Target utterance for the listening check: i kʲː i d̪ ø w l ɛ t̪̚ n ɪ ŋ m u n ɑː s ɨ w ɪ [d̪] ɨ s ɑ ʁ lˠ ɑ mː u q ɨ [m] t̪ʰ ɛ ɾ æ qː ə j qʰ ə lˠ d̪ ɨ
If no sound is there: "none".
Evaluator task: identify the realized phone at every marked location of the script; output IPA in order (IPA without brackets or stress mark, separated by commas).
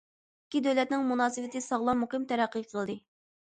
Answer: t̪, m